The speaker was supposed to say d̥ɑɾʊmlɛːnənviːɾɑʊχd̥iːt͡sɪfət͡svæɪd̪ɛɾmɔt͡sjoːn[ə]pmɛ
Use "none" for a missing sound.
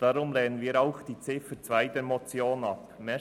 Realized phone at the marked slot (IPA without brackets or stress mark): ɑ